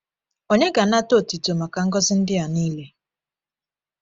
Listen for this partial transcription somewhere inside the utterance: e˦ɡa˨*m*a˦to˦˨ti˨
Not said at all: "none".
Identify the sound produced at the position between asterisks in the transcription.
n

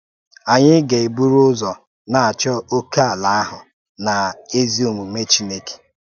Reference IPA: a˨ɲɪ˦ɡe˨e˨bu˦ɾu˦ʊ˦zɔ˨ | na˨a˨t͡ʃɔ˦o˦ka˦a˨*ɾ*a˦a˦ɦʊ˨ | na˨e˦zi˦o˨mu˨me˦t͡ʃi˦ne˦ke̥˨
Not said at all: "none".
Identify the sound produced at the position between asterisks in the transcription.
l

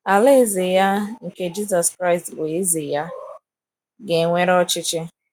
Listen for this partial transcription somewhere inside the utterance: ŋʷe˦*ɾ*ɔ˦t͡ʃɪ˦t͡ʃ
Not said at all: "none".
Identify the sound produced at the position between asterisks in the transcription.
ɾ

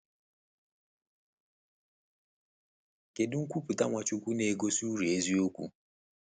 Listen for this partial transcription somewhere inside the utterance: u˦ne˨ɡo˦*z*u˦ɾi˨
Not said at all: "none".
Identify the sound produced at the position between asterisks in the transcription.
s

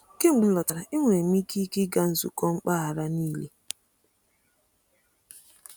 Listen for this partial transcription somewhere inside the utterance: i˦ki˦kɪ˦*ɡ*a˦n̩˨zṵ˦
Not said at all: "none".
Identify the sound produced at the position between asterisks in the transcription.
ɡ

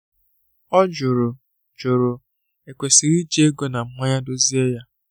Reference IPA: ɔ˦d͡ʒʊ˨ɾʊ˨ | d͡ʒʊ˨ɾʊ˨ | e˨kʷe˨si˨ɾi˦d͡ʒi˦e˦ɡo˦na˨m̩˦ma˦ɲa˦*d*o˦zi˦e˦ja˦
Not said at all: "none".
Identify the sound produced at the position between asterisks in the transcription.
d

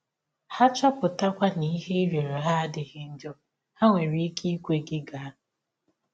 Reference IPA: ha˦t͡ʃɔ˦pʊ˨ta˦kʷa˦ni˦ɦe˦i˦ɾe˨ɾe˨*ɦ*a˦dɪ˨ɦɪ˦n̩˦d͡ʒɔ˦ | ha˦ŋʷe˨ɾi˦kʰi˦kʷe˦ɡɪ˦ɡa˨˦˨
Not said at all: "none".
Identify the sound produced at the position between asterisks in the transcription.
ɦ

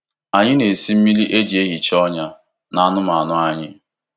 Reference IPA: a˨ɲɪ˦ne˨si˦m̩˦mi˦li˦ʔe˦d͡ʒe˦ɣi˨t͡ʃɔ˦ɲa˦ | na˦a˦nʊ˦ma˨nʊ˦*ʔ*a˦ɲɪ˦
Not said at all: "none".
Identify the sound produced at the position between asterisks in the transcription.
none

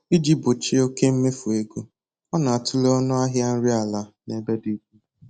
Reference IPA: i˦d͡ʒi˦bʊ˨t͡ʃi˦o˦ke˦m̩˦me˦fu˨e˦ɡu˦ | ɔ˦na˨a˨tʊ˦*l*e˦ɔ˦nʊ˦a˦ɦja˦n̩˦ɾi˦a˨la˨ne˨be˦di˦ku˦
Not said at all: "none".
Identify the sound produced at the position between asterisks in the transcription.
l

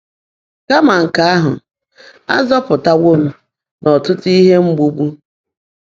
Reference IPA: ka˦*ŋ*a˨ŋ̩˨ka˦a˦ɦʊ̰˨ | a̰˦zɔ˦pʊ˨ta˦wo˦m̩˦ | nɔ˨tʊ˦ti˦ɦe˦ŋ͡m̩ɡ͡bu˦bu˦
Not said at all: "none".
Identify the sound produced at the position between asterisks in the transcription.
m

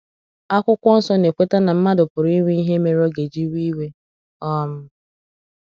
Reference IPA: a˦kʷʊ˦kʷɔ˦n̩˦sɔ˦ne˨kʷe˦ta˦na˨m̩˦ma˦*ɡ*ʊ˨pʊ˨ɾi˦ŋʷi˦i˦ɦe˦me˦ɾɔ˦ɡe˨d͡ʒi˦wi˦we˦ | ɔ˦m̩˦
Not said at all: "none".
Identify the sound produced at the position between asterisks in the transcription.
d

